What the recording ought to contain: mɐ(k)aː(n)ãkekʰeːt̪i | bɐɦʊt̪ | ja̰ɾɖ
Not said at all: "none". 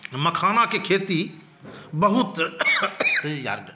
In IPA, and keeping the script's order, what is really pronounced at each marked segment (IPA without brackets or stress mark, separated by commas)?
kʰ, n